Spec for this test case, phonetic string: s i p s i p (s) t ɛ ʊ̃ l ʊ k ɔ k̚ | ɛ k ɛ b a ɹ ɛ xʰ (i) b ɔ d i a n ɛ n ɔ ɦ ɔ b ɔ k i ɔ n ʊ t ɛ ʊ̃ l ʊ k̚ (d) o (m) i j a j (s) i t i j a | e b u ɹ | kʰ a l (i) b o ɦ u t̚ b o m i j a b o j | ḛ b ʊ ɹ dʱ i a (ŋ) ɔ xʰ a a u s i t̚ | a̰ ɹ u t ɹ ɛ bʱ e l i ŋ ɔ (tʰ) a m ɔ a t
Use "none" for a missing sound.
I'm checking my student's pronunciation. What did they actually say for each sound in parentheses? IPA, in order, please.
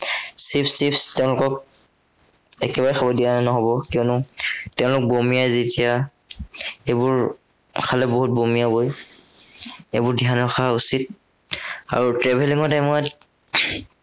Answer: s, a, b, m, z, ɛ, n, t

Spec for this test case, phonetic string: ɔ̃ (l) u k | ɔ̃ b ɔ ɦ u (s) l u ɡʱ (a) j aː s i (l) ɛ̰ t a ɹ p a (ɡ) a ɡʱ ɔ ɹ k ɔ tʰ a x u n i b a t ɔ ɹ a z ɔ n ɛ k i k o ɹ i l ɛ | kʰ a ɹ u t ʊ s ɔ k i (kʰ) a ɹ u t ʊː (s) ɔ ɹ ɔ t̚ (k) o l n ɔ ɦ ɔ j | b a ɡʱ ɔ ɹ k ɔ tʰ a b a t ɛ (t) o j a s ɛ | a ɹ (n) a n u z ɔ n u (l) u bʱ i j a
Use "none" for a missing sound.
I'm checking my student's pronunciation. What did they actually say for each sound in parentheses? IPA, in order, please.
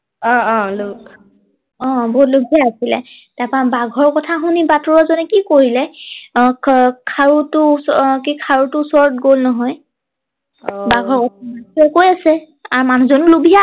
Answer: l, t, i, l, b, kʰ, s, ɡ, k, m, l

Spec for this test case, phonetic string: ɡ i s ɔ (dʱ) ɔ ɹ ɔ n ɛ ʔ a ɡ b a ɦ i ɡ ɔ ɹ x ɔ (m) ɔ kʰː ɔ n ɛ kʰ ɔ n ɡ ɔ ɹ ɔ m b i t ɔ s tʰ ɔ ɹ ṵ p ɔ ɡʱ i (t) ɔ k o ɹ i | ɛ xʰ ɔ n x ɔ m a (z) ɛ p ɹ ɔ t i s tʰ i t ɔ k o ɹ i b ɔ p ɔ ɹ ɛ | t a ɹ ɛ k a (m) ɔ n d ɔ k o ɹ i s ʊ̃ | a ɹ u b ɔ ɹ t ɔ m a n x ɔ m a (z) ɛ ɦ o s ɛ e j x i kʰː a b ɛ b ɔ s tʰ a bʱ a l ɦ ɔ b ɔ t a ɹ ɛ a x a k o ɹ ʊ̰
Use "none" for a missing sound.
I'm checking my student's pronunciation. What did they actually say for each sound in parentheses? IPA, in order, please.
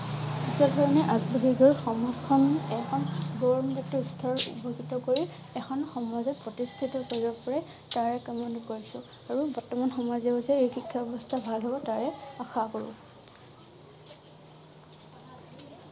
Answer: dʱ, m, t, z, m, z

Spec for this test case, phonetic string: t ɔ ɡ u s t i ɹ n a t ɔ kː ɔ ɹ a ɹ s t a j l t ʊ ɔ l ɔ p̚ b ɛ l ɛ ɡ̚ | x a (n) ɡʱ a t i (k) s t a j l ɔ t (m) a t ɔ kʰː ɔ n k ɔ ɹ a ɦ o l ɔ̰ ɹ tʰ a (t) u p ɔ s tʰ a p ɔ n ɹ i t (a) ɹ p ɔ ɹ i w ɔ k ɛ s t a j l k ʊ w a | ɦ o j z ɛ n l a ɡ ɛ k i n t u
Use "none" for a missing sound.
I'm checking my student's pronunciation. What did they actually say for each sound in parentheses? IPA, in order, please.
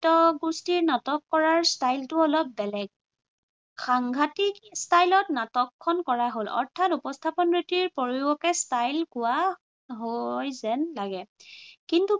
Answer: ŋ, k, n, t, i

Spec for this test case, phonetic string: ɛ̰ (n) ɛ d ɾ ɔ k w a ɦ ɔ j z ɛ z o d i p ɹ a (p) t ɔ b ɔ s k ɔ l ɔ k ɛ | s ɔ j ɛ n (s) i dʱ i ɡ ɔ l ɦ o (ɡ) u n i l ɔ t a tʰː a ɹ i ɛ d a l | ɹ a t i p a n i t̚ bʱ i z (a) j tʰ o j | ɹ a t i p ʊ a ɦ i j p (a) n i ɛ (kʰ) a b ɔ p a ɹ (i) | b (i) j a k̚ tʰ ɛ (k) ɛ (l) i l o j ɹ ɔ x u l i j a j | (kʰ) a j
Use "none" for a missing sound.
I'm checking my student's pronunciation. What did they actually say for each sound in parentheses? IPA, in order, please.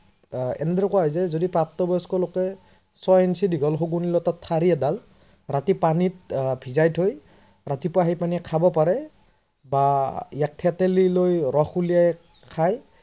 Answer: n, p, s, ɡ, a, a, kʰ, ɛ, a, t, l, kʰ

